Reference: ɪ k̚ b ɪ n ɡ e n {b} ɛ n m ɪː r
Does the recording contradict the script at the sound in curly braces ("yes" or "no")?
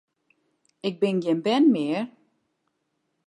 no